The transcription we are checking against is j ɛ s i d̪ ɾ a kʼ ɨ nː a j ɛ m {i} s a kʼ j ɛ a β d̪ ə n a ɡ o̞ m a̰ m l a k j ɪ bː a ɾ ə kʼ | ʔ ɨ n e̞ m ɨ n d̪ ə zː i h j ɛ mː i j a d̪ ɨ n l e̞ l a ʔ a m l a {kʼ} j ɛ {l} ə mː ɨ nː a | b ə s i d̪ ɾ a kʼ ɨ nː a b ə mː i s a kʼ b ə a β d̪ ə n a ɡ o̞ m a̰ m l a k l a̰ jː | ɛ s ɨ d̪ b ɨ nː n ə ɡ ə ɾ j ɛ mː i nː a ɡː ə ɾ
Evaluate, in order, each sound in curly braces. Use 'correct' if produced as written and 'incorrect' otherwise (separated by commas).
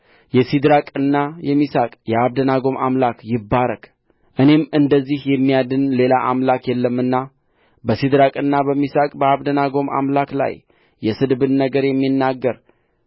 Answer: correct, incorrect, incorrect